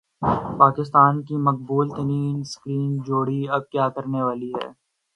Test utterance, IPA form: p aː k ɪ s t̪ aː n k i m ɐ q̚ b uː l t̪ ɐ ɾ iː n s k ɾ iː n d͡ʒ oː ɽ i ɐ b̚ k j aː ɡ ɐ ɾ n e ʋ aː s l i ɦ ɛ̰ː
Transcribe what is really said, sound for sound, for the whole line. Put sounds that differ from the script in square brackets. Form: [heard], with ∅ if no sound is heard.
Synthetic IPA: p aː k ɪ s t̪ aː n k i m ɐ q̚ b uː l t̪ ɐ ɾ iː n s k ɾ iː n d͡ʒ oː ɽ i ɐ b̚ k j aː [k] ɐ ɾ n e ʋ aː [∅] l i ɦ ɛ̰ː